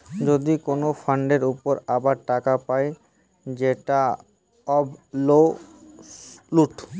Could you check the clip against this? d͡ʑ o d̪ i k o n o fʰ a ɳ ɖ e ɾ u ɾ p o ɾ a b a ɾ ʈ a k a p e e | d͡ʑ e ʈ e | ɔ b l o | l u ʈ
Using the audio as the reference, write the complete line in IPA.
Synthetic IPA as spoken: d͡ʑ o d̪ i k o n o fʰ a ɳ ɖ e ɾ u p o ɾ a b a ɾ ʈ a k a p a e | d͡ʑ e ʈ a | ɔ b l o | l u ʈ